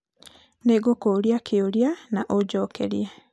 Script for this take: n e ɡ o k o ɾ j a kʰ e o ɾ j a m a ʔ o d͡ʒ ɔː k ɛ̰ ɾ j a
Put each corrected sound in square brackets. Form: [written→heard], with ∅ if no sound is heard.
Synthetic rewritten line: n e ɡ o k o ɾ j a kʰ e o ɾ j a [m→n] a ʔ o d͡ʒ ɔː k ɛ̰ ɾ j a